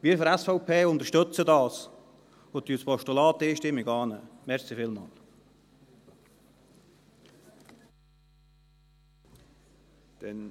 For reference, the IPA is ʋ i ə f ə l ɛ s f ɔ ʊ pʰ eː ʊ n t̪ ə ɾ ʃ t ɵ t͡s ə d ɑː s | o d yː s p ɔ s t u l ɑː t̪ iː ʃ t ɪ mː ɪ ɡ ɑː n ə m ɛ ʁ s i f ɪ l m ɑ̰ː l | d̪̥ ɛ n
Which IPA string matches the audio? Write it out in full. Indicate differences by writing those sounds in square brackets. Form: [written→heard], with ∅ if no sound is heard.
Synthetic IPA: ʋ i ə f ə [l→ɾ] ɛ s f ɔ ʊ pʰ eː ʊ n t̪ ə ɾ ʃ t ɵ t͡s ə d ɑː s | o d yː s p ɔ [s→ʃ] t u l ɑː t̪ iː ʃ t ɪ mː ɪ ɡ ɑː n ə m ɛ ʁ s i f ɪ l m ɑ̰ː l | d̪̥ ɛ n